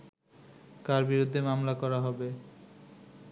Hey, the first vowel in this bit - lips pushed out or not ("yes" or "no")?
no